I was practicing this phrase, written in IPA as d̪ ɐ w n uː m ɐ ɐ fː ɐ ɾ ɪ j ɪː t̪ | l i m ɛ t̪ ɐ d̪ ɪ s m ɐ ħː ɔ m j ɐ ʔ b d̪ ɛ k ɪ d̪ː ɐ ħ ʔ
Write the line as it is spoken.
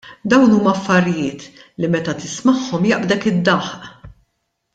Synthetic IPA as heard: d̪ ɐ w n uː m ɐ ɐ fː ɐ ɾ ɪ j ɪː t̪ | l i m ɛ t̪ ɐ t̪ ɪ s m ɐ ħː ɔ m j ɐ ʔ b d̪ ɛ k ɪ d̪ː ɐ ħ ʔ